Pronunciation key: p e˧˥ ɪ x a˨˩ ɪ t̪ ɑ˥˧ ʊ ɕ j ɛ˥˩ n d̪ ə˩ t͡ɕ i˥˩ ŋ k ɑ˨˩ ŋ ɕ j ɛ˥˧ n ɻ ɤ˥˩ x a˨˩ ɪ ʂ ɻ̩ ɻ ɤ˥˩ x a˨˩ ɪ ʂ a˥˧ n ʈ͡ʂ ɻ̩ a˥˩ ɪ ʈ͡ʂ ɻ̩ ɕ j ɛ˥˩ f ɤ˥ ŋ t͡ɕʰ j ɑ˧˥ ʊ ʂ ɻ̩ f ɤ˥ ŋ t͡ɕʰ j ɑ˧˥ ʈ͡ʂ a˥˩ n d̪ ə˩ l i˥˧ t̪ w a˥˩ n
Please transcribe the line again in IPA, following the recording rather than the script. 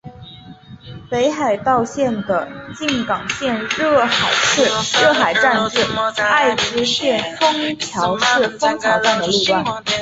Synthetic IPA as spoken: p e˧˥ ɪ x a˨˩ ɪ t̪ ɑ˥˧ ʊ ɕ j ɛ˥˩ n d̪ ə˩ t͡ɕ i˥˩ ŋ k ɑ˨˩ ŋ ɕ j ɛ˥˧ n ɻ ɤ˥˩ x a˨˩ ɪ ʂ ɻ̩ ɻ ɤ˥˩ x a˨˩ ɪ ʈ͡ʂ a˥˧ n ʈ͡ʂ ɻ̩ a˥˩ ɪ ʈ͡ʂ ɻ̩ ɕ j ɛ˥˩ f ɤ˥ ŋ t͡ɕʰ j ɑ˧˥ ʊ ʂ ɻ̩ f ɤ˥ ŋ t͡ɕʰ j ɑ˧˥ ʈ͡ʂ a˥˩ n d̪ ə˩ l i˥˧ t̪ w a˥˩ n

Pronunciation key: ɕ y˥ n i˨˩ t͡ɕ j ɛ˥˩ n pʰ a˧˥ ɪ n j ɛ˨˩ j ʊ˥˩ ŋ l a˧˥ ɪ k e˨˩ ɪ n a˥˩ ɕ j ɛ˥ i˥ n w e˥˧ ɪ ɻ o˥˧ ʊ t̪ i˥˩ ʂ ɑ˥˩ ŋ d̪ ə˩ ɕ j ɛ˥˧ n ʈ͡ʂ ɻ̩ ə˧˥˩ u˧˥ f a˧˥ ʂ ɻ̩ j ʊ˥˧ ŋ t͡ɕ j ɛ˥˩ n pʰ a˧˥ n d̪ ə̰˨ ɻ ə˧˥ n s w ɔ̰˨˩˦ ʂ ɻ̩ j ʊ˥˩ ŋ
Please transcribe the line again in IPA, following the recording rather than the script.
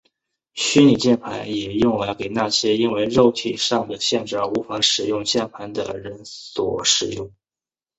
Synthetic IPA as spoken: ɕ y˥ n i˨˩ t͡ɕ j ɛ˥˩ n pʰ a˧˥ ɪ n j ɛ˨˩ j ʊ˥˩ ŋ l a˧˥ ɪ k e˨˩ ɪ n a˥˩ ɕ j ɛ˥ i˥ n w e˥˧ ɪ ɻ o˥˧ ʊ t̪ʰ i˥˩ ʂ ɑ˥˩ ŋ d̪ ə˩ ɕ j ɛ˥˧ n ʈ͡ʂ ɻ̩ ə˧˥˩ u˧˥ f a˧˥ ʂ ɻ̩ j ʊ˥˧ ŋ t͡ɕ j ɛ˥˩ n pʰ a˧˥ n d̪ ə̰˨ ɻ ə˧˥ n s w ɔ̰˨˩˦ ʂ ɻ̩ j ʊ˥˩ ŋ

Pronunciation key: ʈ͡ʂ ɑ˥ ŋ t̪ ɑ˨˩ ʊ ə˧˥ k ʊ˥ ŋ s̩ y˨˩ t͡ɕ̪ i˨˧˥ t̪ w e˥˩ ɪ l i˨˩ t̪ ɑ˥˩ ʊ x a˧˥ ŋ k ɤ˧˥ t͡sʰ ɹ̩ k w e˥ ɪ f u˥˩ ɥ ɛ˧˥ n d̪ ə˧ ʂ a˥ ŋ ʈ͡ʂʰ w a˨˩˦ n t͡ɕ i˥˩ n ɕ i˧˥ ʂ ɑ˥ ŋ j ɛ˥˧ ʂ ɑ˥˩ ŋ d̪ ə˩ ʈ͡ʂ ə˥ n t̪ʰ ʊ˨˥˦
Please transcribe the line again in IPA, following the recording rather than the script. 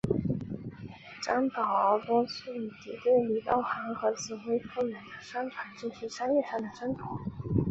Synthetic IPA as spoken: ʈ͡ʂ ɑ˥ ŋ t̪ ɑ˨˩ ʊ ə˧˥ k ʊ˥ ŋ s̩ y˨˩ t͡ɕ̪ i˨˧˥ t̪ w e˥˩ ɪ l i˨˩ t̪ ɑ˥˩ ʊ x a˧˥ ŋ x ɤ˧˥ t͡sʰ ɹ̩ x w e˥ ɪ f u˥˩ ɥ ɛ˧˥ n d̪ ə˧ ʂ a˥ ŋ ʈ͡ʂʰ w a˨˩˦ n t͡ɕ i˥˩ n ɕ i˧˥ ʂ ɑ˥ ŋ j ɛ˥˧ ʂ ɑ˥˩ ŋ d̪ ə˩ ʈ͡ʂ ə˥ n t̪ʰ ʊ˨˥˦

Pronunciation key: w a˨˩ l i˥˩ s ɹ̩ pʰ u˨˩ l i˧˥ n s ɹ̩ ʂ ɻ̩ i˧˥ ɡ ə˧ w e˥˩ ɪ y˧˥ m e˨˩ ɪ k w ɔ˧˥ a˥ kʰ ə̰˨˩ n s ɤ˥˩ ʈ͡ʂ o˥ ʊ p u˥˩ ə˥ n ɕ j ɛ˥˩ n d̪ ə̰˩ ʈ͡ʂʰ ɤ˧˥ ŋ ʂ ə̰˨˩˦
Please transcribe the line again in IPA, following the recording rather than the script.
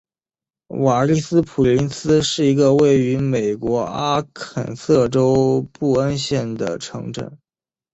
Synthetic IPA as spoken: w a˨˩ l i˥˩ s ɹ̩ pʰ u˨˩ l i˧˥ n s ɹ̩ ʂ ɻ̩ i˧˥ ɡ ə˧ w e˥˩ ɪ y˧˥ m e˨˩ ɪ k w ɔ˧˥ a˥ kʰ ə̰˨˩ n s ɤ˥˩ ʈ͡ʂ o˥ ʊ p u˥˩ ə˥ n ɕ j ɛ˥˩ n d̪ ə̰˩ ʈ͡ʂʰ ɤ˧˥ ŋ ʈ͡ʂ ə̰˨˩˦

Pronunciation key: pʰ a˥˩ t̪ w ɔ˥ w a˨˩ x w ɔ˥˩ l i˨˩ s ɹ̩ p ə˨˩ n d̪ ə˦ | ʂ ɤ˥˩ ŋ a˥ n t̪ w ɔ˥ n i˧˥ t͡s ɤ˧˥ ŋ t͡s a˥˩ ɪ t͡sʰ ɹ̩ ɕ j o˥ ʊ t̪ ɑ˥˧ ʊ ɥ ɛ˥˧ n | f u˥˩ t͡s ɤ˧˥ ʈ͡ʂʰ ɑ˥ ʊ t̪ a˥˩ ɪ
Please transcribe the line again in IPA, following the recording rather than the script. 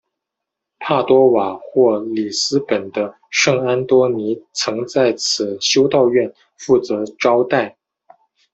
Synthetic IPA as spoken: pʰ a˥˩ t̪ w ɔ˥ w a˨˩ x w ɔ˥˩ l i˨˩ s ɹ̩ p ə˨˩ n d̪ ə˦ | ʂ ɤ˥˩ ŋ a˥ n t̪ w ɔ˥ n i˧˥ t͡sʰ ɤ˧˥ ŋ t͡s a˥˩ ɪ t͡sʰ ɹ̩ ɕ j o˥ ʊ t̪ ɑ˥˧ ʊ ɥ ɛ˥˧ n | f u˥˩ t͡s ɤ˧˥ ʈ͡ʂ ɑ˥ ʊ t̪ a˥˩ ɪ

